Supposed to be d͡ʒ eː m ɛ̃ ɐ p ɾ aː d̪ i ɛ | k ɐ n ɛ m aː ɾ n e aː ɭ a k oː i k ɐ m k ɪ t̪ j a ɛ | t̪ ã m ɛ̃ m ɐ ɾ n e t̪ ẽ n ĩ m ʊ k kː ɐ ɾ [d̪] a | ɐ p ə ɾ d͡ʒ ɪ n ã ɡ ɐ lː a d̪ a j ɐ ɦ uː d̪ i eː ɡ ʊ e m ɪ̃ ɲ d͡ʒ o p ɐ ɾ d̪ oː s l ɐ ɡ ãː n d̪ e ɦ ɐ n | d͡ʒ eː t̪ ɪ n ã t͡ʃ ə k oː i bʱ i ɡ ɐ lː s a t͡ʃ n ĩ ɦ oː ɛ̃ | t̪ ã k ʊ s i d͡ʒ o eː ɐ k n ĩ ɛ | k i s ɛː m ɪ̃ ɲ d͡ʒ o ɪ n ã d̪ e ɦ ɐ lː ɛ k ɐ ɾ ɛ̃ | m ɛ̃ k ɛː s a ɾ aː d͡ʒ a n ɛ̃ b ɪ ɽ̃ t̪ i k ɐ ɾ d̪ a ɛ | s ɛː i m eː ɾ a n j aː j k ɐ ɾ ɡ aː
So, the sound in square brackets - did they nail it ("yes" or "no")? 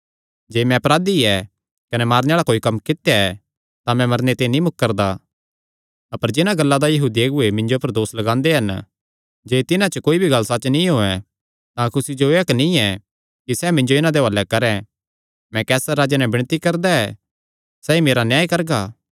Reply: yes